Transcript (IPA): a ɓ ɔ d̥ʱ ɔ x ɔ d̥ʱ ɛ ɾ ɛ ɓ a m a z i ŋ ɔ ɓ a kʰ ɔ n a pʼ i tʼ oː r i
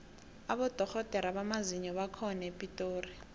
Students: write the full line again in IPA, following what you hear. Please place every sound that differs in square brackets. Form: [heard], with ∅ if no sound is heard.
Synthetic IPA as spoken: a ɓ ɔ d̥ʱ ɔ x ɔ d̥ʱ ɛ ɾ [a] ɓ a m a z i [ɲ] ɔ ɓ a kʰ ɔ n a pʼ i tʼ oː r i